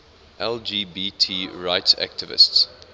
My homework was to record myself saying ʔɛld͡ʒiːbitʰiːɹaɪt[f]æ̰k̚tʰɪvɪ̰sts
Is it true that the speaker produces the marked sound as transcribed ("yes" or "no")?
no